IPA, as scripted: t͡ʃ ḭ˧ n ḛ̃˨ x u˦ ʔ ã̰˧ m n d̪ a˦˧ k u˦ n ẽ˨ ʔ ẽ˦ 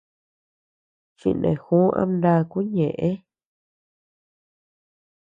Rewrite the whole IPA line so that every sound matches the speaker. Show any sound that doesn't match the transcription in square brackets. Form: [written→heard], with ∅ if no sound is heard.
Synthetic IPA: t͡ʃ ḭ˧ n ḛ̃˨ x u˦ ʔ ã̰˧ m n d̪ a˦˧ k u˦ [n→ɲ] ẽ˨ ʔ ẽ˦